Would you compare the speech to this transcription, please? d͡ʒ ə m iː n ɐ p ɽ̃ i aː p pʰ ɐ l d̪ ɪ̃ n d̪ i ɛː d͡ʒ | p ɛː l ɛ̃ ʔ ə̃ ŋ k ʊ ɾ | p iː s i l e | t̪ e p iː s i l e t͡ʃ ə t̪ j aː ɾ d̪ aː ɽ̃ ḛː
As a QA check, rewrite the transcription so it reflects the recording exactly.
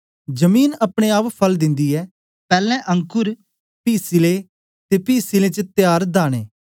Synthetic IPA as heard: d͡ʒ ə m iː n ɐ p ɽ̃ e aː p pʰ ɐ l d̪ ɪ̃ n d̪ i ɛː | p ɛː l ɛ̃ ʔ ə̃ ŋ k ʊ ɾ | p iː s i l e | t̪ e p iː s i l e t͡ʃ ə t̪ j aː ɾ d̪ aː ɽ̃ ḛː